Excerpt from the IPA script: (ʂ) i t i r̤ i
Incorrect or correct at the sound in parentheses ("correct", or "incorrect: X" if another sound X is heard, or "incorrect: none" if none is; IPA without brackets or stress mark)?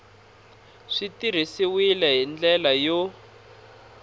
correct